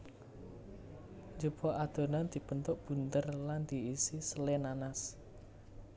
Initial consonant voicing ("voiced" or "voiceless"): voiced